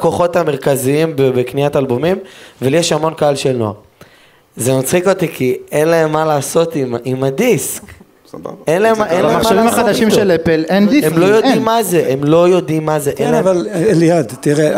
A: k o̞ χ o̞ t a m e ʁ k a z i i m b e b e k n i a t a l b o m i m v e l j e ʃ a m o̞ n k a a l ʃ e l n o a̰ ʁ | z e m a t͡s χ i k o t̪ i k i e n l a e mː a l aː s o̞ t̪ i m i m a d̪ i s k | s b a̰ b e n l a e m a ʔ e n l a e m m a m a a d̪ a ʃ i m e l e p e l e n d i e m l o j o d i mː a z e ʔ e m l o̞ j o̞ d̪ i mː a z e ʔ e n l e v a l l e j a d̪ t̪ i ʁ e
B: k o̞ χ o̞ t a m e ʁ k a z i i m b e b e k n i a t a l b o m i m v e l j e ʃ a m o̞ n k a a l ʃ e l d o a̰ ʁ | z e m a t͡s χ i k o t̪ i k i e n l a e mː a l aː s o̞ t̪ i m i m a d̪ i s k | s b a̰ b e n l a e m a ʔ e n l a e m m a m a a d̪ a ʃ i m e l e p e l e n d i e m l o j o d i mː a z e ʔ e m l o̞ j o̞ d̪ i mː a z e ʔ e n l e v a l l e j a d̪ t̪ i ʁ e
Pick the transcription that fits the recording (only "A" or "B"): A